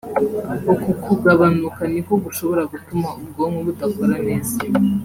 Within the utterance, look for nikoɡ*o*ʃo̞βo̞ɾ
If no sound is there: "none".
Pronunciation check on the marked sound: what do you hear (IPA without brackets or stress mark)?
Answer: u